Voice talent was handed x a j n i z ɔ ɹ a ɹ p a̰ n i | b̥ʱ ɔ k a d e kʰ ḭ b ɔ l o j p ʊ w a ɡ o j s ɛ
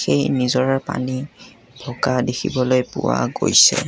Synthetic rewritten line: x e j n i z ɔ ɹ a ɹ p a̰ n i | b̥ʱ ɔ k a d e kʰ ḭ b ɔ l o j p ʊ w a ɡ o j s ɛ